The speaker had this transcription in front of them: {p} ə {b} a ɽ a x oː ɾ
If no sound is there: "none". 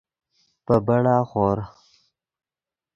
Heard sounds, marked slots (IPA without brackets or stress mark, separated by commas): p, b